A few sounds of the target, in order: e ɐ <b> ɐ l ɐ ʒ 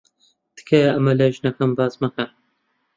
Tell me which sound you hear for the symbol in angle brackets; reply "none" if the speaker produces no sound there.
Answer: m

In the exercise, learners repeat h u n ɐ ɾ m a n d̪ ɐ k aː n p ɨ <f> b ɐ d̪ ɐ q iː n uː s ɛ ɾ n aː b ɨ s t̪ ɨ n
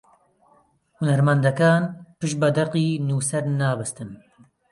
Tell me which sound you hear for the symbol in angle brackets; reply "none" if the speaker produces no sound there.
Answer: ʃ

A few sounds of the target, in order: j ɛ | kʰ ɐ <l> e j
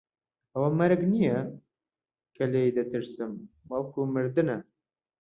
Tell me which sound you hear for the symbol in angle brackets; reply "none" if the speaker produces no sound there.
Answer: l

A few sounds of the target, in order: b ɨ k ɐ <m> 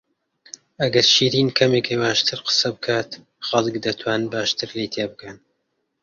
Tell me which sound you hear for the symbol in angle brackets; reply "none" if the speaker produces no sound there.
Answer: n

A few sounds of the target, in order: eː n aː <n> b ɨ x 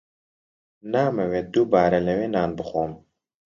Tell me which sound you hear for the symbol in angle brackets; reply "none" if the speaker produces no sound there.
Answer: n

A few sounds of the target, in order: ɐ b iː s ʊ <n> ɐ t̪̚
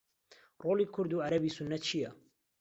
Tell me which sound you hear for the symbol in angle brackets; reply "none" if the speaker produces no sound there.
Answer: nː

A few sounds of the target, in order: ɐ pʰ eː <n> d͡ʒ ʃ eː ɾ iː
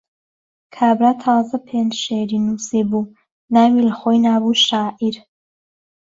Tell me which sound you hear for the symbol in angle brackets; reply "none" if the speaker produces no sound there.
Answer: n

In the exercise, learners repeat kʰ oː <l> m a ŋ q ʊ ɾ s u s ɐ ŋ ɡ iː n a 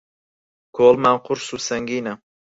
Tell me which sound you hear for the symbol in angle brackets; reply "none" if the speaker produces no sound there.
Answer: l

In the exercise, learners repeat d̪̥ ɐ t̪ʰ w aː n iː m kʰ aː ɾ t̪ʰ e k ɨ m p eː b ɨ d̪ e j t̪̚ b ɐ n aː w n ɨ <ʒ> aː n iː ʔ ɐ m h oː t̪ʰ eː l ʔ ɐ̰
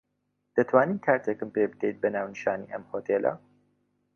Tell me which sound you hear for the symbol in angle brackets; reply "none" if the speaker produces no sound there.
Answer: ʃ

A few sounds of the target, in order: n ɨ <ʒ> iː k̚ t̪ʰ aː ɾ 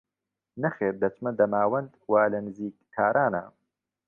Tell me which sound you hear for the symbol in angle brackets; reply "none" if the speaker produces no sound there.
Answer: z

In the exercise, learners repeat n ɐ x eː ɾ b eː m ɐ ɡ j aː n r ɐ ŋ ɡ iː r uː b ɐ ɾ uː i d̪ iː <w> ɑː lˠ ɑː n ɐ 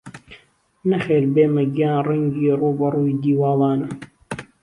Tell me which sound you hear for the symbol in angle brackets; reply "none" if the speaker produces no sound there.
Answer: w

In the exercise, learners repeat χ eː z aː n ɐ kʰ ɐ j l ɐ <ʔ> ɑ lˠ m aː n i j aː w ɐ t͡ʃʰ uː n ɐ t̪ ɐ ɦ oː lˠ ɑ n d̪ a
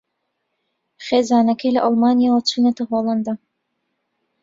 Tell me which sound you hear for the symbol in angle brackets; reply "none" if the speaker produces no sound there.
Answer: ʔ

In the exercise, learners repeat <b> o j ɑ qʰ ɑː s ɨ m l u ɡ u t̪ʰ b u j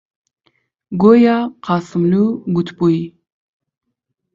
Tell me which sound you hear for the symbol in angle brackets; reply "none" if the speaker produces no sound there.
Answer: ɡ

